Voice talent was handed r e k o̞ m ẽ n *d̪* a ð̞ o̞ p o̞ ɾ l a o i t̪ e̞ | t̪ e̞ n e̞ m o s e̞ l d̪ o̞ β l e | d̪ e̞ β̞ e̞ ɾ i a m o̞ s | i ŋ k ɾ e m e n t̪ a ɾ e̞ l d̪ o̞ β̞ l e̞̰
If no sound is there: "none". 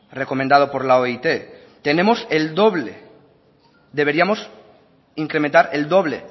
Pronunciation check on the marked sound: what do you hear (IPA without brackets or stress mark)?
d̪